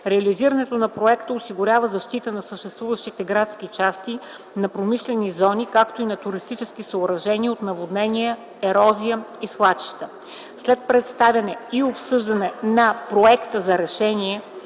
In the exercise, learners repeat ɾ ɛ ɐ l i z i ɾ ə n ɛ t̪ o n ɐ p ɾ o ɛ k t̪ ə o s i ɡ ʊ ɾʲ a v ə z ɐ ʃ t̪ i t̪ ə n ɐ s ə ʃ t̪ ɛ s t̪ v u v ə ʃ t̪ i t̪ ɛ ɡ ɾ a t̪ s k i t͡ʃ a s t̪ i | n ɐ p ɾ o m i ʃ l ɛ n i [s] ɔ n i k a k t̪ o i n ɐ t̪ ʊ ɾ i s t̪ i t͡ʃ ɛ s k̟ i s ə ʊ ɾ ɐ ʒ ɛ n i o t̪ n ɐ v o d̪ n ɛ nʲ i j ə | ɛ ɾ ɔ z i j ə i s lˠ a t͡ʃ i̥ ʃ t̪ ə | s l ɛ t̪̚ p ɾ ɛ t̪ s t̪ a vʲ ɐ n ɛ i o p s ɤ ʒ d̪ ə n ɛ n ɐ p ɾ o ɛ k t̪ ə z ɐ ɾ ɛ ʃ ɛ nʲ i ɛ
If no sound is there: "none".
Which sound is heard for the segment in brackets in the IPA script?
z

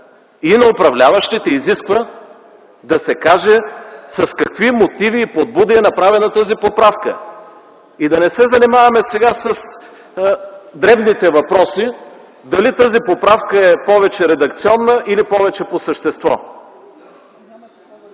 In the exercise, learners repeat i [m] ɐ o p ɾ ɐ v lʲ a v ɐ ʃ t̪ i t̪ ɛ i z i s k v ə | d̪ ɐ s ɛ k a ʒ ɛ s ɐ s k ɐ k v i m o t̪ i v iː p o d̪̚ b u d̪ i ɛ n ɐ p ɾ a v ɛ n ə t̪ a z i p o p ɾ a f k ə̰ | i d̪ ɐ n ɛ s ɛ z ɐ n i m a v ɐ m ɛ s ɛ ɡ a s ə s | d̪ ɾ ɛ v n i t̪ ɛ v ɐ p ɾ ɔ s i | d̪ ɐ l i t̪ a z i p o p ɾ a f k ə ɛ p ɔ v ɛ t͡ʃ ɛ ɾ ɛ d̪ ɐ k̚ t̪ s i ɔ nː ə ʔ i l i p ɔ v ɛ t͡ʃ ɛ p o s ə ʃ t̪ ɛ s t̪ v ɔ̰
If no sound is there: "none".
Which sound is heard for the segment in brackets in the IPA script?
n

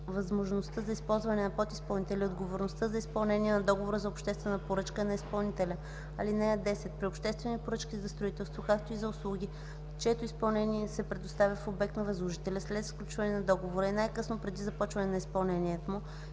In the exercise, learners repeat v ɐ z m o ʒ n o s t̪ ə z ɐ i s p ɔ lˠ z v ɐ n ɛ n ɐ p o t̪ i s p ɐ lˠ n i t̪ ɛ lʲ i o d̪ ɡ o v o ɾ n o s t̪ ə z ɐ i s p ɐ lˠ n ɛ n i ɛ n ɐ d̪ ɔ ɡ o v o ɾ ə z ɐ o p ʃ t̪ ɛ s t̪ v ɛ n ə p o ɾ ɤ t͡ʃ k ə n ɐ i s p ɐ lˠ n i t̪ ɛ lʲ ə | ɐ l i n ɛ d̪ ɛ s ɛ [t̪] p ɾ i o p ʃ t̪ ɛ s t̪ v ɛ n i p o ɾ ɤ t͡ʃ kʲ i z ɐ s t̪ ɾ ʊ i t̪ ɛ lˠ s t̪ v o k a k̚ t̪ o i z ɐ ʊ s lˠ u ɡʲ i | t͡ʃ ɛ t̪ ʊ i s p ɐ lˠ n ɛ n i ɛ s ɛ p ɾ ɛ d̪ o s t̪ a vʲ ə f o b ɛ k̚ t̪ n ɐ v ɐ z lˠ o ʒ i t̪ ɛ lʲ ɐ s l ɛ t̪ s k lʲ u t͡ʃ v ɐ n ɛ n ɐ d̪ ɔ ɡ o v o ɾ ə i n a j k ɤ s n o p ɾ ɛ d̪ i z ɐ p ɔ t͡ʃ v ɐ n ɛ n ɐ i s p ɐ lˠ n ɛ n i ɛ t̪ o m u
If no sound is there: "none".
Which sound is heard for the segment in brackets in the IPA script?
t̪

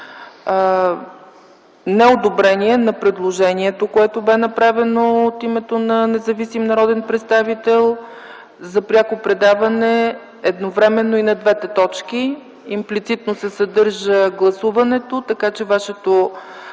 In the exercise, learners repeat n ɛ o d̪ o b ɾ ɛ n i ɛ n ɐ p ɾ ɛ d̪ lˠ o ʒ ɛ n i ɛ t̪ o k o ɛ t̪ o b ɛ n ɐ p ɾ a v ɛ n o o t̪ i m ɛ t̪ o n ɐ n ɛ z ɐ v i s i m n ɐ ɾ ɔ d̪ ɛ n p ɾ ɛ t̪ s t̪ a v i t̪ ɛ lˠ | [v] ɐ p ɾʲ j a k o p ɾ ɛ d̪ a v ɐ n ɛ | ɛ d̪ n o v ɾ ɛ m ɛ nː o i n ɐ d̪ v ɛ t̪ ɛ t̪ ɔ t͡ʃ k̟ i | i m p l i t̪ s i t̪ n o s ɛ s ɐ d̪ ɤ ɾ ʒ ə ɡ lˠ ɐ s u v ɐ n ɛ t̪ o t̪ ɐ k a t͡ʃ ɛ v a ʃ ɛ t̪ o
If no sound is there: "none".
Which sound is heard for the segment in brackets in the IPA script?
z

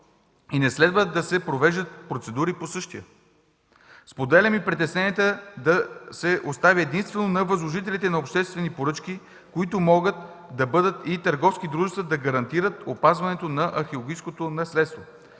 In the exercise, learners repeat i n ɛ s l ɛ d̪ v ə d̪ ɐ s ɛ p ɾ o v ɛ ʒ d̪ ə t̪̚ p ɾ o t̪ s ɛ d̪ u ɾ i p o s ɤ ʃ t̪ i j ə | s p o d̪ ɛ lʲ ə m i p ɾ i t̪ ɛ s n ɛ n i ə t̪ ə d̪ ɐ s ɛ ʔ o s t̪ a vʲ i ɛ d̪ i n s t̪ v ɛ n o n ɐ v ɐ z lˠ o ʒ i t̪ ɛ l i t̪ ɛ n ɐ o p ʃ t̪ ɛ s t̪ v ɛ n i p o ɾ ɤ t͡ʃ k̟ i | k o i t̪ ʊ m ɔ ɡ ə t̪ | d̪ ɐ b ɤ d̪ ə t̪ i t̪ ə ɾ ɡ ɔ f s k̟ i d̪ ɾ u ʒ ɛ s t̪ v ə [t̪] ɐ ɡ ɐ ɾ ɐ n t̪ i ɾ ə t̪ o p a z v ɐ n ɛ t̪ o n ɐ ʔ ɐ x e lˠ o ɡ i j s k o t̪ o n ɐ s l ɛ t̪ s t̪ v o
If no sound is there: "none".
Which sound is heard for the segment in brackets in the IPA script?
d̪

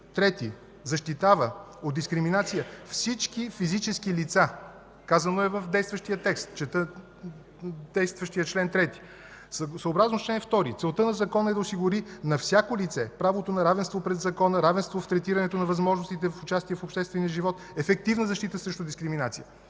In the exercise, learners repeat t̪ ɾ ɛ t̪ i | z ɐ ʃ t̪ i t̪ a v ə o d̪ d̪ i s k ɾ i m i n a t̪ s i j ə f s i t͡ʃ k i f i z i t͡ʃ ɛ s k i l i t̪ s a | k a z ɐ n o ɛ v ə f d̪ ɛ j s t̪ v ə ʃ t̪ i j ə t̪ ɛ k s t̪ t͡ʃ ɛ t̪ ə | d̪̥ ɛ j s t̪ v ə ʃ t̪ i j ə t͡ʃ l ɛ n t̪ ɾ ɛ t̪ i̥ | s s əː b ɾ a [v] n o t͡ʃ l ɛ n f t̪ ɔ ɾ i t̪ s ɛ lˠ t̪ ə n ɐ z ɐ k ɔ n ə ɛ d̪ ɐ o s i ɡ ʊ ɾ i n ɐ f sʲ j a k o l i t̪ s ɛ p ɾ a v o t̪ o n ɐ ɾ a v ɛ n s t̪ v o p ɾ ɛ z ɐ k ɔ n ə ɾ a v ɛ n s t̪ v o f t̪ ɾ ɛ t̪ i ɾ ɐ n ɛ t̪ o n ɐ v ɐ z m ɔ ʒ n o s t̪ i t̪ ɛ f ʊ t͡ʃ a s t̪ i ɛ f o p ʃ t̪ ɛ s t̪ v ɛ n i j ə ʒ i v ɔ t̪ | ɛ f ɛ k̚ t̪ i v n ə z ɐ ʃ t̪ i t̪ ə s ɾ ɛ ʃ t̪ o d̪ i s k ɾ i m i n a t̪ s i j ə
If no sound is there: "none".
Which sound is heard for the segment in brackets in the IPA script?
z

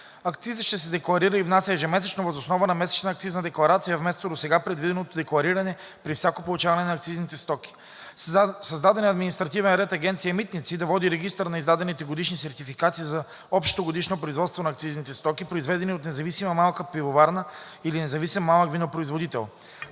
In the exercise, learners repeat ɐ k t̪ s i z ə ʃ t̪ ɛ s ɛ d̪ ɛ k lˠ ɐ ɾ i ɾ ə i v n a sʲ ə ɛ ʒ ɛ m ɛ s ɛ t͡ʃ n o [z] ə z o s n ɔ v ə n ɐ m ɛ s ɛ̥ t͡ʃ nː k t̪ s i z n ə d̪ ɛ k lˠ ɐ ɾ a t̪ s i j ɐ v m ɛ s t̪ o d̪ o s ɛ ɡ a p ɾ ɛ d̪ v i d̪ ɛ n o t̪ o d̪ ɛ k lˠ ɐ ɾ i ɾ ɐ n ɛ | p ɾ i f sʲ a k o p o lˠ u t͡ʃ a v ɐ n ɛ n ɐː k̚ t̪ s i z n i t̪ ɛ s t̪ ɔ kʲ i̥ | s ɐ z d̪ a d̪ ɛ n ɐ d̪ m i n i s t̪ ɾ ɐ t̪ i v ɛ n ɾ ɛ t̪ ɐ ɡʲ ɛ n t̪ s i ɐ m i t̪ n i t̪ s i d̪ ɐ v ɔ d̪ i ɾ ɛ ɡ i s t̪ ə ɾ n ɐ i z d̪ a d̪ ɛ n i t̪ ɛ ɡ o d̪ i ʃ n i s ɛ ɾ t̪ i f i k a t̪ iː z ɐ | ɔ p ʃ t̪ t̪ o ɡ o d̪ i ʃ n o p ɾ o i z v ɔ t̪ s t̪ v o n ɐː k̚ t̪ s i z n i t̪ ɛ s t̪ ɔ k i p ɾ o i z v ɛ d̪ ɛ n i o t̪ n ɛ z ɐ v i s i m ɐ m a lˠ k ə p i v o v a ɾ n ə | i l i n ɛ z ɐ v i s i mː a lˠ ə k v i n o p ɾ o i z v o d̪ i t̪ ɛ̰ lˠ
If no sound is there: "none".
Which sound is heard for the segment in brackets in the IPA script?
v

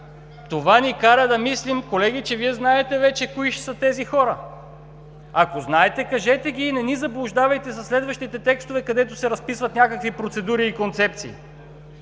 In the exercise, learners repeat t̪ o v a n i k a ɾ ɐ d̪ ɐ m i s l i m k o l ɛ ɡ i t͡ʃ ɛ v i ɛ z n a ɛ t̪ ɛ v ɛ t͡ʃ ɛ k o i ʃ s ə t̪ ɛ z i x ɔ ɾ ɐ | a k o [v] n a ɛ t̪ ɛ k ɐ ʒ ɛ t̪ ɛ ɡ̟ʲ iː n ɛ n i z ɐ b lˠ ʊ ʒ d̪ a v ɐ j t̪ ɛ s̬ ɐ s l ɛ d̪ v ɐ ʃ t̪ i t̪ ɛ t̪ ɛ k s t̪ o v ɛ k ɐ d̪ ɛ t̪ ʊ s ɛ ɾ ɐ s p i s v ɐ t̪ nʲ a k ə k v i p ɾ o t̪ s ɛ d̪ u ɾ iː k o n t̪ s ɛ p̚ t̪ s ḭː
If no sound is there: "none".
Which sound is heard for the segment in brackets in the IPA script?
z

